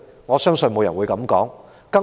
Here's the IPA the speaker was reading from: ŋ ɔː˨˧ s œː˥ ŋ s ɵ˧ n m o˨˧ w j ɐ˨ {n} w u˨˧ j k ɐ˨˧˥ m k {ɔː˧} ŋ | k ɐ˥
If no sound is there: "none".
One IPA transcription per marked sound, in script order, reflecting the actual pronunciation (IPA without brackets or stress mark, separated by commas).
n, ɔː˨˥